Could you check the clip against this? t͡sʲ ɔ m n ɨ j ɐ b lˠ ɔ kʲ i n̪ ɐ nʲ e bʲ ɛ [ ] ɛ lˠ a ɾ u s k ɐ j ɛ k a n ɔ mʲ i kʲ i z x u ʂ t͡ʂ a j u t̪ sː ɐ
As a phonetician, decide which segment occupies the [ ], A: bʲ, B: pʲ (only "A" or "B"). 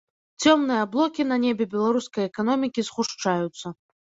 A